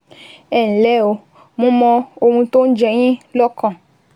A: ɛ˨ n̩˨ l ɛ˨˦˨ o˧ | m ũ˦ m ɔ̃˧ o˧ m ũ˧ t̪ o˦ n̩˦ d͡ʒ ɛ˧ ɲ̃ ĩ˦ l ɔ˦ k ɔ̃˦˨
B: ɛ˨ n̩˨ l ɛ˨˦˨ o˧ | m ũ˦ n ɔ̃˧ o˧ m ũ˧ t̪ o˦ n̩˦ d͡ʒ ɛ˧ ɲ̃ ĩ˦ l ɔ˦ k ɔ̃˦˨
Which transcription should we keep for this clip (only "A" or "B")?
A